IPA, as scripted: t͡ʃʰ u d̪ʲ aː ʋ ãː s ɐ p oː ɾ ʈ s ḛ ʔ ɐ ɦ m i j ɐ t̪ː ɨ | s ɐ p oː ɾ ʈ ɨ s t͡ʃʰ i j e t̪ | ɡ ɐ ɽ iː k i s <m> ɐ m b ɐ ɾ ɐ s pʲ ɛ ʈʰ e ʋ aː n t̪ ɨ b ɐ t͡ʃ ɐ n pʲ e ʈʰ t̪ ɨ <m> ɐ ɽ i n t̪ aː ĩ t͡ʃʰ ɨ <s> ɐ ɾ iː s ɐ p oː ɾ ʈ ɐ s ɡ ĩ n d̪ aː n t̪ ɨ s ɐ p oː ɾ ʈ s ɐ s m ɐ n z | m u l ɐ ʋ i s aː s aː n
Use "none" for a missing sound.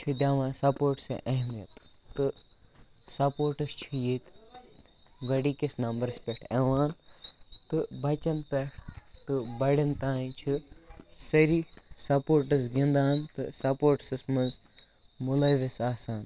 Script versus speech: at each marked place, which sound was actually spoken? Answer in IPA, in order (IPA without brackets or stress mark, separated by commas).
n, b, s